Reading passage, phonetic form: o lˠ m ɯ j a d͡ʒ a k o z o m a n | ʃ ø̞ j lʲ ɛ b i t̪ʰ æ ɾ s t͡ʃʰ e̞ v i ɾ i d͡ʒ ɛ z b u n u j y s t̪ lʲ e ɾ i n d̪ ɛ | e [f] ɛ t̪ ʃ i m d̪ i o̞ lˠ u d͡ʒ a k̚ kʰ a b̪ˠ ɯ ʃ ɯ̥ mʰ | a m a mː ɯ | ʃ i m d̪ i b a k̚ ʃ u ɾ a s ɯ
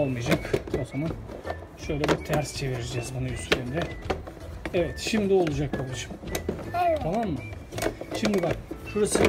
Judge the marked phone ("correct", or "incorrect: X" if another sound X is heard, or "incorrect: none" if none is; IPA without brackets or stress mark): incorrect: v